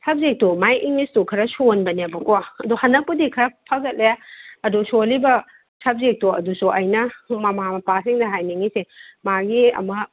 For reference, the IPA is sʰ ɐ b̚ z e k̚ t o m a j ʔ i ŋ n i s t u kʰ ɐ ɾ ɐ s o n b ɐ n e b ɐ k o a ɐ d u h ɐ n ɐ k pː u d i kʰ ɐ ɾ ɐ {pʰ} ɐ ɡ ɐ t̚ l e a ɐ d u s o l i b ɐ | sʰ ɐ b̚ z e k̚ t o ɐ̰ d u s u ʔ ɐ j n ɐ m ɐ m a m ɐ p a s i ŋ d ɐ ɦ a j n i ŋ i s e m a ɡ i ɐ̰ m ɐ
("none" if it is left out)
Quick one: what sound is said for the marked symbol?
pʰ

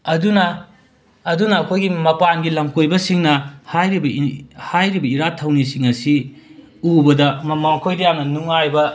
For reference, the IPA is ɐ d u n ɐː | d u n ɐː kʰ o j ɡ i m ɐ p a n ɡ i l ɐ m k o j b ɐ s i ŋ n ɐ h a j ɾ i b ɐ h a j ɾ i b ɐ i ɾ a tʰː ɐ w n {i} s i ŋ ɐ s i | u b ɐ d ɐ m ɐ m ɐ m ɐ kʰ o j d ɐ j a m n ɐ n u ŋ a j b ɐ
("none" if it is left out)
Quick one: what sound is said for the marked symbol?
i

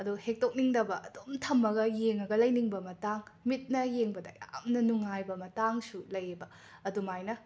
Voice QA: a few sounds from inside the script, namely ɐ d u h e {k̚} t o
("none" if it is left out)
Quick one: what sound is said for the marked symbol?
k̚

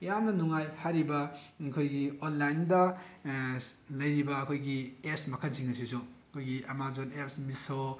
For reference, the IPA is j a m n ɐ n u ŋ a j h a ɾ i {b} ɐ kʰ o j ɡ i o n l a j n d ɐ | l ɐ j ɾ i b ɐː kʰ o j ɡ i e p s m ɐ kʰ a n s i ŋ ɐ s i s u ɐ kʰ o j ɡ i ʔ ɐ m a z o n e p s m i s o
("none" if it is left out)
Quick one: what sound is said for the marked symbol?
b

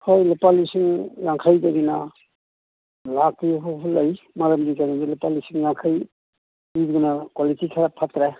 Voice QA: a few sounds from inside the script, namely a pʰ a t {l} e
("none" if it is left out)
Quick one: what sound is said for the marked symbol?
ɾ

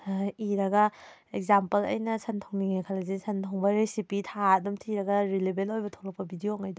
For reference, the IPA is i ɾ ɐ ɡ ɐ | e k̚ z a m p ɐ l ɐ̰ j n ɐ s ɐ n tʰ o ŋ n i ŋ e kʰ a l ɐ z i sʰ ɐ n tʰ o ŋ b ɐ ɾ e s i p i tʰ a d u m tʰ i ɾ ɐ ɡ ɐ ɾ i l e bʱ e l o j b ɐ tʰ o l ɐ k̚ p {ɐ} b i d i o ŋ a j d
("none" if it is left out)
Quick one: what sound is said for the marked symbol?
ɐ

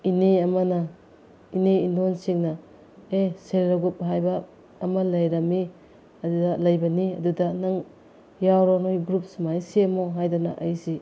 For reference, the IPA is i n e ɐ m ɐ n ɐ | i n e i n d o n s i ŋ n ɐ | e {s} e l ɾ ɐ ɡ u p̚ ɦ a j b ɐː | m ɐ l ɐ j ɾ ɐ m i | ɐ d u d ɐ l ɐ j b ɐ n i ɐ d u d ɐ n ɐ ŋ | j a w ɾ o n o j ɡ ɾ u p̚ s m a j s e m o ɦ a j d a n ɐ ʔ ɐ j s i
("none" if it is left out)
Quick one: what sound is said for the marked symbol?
s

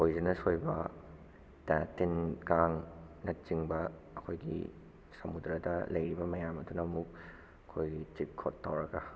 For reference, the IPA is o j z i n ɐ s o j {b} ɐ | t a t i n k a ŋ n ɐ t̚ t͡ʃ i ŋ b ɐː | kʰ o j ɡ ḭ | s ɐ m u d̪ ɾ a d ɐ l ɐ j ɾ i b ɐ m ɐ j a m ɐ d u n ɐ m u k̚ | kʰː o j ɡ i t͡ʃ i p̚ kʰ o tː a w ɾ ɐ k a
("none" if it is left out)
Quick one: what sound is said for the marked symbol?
b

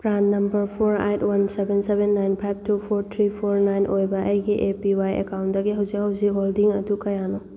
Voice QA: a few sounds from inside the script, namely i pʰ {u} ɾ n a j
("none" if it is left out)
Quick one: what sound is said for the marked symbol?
o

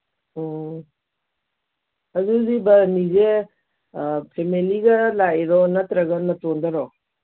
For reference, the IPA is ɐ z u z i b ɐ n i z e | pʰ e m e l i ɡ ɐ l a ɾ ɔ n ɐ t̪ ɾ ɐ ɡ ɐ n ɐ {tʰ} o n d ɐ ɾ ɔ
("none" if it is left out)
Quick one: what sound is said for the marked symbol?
t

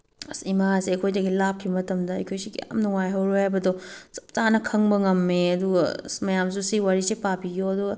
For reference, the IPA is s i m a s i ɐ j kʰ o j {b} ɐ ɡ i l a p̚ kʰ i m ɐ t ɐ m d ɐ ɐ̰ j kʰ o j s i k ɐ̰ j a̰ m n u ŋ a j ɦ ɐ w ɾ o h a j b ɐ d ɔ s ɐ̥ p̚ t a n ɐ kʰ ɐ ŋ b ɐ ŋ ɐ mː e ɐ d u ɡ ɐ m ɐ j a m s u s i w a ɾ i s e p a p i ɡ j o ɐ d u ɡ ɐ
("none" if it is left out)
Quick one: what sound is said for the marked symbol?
d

